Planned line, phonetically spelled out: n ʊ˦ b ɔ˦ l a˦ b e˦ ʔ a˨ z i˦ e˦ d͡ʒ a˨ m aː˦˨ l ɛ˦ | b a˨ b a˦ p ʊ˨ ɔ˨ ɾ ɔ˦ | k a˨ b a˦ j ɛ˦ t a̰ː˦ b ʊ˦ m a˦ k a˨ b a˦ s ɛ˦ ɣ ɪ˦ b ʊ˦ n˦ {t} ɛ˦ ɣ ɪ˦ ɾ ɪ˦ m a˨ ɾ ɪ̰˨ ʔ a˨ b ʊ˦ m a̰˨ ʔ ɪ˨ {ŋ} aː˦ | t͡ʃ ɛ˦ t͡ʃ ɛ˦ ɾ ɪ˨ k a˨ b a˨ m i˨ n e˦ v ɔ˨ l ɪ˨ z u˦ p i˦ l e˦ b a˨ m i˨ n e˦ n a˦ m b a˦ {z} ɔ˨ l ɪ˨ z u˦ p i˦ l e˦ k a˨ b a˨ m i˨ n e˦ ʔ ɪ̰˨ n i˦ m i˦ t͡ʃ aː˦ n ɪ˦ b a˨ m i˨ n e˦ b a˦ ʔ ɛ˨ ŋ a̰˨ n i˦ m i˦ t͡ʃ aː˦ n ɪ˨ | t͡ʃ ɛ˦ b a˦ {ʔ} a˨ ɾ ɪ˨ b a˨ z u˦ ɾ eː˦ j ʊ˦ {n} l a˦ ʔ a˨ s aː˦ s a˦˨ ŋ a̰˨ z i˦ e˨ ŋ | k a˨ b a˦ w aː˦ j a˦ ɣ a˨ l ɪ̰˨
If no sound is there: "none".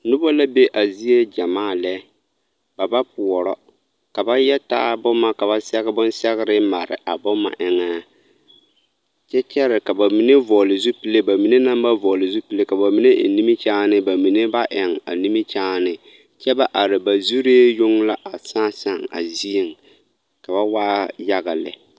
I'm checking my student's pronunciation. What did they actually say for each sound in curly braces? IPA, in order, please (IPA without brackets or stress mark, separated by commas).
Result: s, ŋ, v, ʔ, ŋ